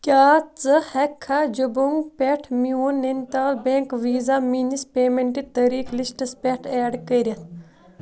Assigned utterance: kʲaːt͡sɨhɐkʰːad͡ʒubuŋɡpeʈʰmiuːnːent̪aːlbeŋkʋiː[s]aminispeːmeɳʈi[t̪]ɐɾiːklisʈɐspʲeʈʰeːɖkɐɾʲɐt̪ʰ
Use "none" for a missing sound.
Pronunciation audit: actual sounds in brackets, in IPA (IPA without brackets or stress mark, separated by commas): z, t̪